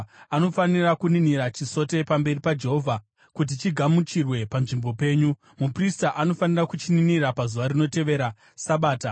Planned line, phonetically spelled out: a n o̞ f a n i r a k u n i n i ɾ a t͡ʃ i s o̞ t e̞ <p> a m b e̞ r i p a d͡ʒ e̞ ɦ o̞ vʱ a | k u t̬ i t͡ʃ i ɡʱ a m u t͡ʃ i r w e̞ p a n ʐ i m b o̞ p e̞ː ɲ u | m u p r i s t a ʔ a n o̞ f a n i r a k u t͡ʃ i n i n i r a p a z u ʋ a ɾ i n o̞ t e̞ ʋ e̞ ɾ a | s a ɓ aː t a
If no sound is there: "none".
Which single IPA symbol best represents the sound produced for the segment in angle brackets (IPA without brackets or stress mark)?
p